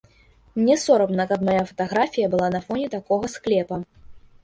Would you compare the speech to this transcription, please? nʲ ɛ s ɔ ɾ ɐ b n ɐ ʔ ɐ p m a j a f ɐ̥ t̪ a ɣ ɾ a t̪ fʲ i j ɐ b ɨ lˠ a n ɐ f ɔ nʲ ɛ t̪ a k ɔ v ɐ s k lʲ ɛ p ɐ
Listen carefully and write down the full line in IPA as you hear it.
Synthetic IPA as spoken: nʲ ɛ s ɔ ɾ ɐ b n ɐ k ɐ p m a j a f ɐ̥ t̪ a ɣ ɾ a fʲ i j ɐ b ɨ lˠ a n ɐ f ɔ nʲ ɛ t̪ a k ɔ ɣ ɐ s k lʲ ɛ p ɐ